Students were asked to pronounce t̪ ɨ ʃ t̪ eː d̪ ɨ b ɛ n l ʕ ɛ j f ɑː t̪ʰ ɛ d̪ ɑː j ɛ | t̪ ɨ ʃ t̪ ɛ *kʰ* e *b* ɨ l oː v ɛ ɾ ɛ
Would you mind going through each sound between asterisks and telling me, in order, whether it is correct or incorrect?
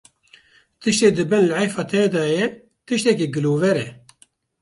incorrect, incorrect

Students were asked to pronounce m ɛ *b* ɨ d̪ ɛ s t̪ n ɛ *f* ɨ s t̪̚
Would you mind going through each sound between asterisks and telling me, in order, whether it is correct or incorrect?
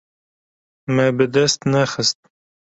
correct, incorrect

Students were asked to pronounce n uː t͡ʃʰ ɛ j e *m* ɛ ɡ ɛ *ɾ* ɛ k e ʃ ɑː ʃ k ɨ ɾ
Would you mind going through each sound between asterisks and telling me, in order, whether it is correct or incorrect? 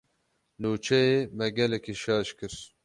correct, incorrect

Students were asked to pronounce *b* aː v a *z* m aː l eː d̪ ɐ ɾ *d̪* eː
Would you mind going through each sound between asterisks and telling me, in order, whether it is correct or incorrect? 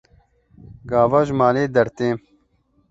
incorrect, incorrect, incorrect

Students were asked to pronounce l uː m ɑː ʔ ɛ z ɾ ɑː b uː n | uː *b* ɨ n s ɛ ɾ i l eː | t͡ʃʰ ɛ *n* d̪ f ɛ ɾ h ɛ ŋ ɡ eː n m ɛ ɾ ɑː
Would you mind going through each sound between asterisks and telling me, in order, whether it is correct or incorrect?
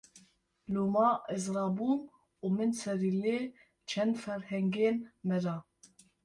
incorrect, correct

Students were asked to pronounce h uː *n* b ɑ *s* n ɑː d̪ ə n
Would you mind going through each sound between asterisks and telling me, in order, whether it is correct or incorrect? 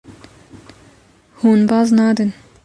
correct, incorrect

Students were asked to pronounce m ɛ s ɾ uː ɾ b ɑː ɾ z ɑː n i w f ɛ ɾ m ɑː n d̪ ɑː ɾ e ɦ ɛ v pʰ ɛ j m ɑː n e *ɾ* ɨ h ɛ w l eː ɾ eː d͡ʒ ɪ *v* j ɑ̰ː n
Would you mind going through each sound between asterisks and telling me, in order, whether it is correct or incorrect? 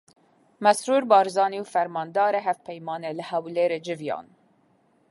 incorrect, correct

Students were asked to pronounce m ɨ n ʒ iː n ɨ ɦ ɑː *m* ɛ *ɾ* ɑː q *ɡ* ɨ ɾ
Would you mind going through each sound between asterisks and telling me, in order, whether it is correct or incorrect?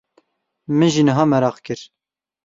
correct, correct, incorrect

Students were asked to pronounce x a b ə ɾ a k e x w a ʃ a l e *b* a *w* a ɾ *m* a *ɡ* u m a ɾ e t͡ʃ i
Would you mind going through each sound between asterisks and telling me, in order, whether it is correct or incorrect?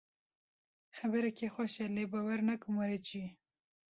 correct, correct, incorrect, incorrect

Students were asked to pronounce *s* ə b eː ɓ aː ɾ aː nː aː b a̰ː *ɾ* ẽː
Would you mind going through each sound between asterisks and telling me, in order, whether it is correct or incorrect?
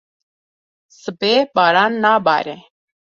correct, correct

